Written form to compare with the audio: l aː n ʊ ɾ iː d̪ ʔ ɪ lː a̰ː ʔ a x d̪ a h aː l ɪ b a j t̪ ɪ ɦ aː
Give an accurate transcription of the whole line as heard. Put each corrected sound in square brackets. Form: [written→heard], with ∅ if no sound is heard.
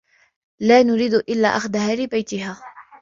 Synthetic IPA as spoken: l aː n ʊ ɾ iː d̪ ʔ ɪ lː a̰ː ʔ a x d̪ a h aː l ɪ b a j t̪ ɪ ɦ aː